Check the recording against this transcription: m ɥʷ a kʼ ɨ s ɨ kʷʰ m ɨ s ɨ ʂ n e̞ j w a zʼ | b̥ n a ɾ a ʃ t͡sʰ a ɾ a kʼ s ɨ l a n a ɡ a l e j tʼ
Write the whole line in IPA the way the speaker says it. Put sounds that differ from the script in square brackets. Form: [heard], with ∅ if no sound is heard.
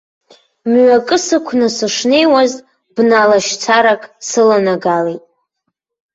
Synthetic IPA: m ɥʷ a kʼ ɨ s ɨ kʷʰ [n] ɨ s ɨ ʂ n e̞ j w a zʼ | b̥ n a [l] a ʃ t͡sʰ a ɾ a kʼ s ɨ l a n a ɡ a l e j tʼ